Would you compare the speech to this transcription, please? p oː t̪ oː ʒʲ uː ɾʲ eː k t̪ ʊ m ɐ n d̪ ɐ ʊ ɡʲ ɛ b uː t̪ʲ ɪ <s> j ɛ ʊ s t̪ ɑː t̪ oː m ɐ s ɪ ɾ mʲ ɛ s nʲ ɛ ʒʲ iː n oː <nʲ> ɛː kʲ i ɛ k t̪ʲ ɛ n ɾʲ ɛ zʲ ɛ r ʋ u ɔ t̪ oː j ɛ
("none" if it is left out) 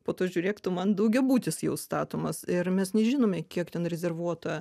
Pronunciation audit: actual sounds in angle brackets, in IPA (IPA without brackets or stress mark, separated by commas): s, mʲ